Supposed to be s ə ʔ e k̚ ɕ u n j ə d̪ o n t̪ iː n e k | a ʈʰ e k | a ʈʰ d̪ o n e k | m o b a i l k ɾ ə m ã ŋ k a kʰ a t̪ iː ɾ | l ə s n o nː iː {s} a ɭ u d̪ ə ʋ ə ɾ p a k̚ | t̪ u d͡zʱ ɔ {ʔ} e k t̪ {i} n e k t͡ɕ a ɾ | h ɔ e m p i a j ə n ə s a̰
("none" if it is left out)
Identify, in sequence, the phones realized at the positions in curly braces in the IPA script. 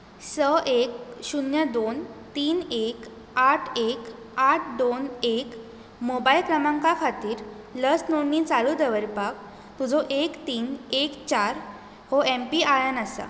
t͡s, ʔ, iː

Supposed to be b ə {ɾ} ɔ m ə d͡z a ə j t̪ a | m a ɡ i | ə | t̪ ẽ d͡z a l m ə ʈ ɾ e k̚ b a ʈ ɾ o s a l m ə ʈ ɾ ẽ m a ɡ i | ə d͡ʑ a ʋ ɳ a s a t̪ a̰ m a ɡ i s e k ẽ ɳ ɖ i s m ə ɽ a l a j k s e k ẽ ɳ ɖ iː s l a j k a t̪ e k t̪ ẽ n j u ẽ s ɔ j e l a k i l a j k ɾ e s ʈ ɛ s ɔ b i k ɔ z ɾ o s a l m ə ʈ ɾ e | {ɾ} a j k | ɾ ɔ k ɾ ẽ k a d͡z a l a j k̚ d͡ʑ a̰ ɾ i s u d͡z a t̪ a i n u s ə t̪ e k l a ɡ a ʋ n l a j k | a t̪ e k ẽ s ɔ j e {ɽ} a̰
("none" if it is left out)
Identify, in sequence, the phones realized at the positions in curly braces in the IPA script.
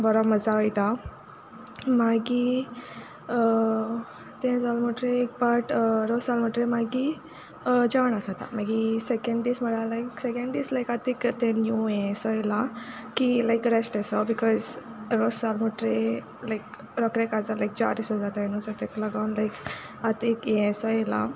ɾ, l, l

